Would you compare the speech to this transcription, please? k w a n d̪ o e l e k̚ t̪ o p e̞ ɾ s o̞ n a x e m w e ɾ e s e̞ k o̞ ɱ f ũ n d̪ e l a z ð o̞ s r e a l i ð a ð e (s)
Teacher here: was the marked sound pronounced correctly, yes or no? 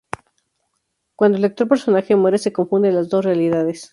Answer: yes